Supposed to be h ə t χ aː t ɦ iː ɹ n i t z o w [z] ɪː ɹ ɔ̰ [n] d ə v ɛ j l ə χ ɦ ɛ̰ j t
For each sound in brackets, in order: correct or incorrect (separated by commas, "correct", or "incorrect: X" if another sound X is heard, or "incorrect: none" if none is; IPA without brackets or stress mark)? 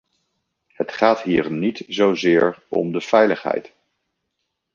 correct, incorrect: m